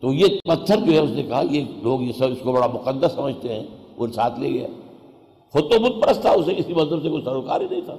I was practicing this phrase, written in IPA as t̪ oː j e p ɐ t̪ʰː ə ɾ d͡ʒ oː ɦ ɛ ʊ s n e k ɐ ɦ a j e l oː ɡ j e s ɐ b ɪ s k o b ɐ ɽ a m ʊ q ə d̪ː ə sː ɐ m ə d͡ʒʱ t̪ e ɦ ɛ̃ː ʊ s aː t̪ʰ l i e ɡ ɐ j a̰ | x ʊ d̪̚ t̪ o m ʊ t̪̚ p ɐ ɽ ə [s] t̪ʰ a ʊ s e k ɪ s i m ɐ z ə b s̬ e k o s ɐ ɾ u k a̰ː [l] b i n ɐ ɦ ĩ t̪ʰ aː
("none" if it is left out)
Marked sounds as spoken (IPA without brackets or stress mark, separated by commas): s, ɾ